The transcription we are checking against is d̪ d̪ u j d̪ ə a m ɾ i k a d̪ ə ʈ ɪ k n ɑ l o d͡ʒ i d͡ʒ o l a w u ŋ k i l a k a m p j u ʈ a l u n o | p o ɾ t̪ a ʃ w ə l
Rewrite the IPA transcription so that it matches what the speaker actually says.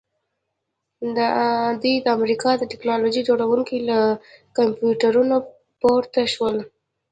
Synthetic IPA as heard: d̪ d̪ u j d̪ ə a m ɾ i k ɑ d̪ ə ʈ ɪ k n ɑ l o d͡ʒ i d͡ʒ o ɽ a w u ŋ k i l a k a m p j u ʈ a ɾ u n o | p o ɾ t̪ a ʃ w ə l